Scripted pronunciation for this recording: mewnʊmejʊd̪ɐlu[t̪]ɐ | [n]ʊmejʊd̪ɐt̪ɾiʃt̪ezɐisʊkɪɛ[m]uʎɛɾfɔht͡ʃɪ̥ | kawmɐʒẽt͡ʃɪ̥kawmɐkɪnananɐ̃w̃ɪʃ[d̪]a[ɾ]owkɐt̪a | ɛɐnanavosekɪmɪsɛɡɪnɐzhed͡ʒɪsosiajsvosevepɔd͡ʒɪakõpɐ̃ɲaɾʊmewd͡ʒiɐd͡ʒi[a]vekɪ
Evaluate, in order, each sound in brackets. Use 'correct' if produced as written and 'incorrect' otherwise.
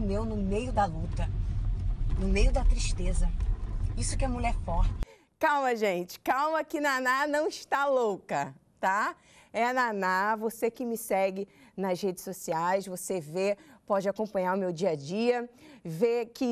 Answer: correct, correct, correct, incorrect: t̪, incorrect: l, incorrect: ɐ

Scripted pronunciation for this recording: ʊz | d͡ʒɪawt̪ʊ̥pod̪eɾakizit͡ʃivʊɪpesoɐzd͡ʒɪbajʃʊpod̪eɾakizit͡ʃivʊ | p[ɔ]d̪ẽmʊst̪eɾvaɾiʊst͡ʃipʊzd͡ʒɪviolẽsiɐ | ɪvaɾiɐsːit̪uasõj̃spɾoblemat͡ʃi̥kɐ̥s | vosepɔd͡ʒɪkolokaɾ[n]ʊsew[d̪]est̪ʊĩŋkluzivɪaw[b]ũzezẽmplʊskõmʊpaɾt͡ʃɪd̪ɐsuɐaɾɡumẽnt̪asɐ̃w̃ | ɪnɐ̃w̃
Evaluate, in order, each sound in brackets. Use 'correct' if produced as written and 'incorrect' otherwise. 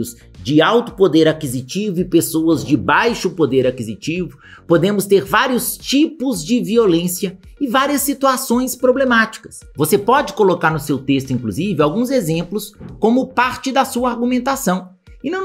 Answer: incorrect: o, correct, incorrect: t̪, incorrect: ɡ

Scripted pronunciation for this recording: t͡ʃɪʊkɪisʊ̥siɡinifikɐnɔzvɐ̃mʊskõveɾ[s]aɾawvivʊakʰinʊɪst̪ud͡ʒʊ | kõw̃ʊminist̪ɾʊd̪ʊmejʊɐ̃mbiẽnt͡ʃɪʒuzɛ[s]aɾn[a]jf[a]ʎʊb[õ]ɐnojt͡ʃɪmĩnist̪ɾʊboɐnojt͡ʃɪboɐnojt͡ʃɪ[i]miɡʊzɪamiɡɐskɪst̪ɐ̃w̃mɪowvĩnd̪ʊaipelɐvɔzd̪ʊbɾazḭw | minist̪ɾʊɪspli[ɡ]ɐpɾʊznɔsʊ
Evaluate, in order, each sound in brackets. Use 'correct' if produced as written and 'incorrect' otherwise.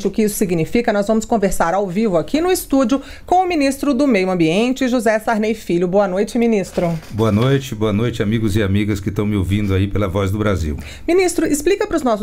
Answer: correct, correct, incorrect: e, incorrect: i, incorrect: o, incorrect: a, incorrect: k

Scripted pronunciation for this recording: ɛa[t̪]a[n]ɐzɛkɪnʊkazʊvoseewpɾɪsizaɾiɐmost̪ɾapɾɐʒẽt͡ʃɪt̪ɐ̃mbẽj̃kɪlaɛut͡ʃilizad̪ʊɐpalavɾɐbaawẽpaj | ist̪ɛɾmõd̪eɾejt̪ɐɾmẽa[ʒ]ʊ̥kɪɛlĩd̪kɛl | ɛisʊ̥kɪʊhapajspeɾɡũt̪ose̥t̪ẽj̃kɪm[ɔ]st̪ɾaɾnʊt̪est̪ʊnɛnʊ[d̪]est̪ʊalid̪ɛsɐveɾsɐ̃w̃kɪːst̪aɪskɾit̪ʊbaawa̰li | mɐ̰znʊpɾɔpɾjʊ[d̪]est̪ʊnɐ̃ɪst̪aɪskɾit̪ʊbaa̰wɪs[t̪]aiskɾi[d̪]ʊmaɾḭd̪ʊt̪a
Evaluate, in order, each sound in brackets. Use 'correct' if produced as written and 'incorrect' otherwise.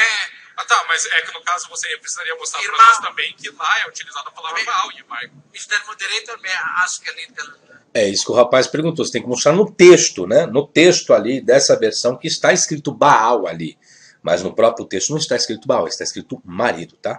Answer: correct, incorrect: m, incorrect: ʃ, incorrect: o, incorrect: t̪, incorrect: t̪, correct, incorrect: t̪

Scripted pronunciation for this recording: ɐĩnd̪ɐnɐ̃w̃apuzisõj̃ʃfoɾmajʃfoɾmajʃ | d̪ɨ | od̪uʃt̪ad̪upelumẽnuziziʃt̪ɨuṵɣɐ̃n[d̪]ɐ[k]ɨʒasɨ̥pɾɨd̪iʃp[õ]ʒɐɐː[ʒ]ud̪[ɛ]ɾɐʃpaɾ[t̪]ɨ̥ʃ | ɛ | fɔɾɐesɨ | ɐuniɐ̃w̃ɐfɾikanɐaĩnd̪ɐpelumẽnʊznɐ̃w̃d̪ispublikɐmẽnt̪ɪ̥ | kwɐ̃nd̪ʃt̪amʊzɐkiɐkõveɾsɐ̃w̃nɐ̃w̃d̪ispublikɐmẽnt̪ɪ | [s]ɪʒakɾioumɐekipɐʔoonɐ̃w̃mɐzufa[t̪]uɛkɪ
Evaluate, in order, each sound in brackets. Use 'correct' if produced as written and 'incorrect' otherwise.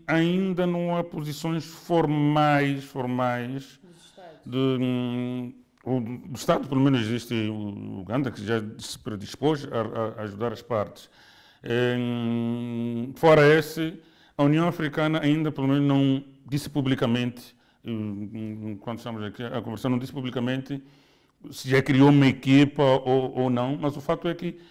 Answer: correct, correct, incorrect: o, correct, incorrect: a, correct, correct, correct

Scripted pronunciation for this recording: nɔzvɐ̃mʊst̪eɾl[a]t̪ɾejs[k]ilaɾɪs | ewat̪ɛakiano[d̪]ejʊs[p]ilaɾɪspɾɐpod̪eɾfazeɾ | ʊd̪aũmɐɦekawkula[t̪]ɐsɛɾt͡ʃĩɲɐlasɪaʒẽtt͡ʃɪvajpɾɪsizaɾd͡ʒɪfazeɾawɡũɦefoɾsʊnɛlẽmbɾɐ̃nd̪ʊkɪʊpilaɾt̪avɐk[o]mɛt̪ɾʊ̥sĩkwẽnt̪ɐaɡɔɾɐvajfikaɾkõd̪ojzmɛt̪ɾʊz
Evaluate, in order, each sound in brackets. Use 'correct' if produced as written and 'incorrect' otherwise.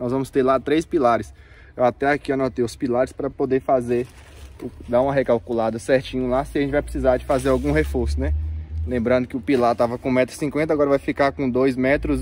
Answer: correct, incorrect: p, incorrect: t̪, correct, incorrect: d̪, incorrect: õ

